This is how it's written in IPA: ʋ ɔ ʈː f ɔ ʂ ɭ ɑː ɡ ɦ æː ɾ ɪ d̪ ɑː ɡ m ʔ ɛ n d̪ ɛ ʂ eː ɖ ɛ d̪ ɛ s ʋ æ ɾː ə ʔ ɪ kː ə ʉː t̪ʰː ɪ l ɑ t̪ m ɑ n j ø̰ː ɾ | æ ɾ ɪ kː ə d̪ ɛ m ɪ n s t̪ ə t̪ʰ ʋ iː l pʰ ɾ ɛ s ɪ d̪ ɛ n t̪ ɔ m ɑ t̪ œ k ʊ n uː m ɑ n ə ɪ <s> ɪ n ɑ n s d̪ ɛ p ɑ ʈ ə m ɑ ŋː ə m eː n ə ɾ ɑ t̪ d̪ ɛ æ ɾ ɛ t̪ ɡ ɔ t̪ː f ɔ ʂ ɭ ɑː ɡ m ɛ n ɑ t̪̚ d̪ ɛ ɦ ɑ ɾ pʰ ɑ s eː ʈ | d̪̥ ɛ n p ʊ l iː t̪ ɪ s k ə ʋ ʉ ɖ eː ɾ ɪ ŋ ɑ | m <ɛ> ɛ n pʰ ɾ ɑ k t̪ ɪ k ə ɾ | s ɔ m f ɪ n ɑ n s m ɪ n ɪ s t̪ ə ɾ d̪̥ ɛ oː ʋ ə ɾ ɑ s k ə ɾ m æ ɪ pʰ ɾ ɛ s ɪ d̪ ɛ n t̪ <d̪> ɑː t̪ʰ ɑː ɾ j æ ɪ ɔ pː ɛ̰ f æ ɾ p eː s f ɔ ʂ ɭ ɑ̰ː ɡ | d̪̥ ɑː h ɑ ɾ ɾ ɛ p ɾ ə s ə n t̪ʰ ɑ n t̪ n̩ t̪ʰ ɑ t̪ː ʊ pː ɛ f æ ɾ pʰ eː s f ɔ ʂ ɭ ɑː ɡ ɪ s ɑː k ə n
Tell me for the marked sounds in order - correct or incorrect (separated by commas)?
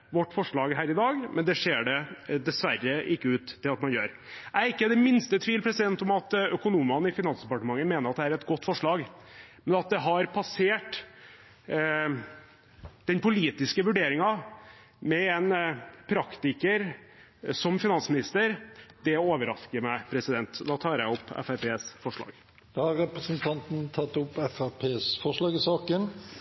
incorrect, correct, correct